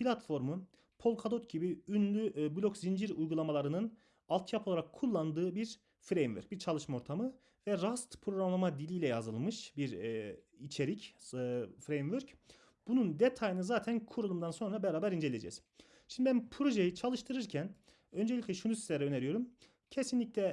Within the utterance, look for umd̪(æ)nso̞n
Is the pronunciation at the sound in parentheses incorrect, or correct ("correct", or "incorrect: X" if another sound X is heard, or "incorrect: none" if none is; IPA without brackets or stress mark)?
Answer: incorrect: a